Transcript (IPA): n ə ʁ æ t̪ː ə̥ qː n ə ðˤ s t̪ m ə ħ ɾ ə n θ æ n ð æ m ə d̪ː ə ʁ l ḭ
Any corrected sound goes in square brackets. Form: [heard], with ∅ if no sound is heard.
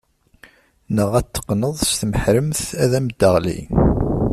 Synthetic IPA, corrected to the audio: n ə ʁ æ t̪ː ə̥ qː n ə ðˤ s t̪ m ə ħ ɾ ə [m] θ æ [∅] ð æ m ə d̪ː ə ʁ l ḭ